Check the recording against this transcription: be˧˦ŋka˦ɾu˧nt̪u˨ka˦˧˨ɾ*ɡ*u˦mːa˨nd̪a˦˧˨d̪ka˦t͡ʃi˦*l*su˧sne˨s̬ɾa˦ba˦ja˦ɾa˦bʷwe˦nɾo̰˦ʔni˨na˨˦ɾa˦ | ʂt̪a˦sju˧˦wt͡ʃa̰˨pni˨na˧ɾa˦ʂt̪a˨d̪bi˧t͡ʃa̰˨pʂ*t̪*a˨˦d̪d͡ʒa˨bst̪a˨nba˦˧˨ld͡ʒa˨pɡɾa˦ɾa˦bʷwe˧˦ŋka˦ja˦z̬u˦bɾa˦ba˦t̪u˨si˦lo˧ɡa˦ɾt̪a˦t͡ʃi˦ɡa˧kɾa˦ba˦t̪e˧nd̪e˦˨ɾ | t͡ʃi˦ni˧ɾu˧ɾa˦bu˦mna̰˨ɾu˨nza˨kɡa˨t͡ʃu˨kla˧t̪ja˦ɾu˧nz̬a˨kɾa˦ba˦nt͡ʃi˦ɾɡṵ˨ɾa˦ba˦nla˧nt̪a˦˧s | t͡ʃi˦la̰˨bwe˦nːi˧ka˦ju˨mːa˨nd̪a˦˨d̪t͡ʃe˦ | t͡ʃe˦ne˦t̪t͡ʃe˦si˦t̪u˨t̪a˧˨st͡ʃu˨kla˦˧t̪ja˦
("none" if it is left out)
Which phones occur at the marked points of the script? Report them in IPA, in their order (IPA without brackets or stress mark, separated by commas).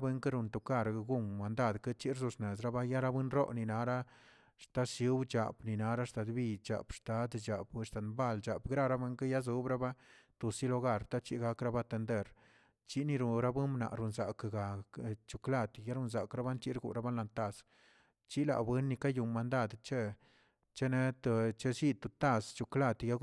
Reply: ɡ, ɾ, t̪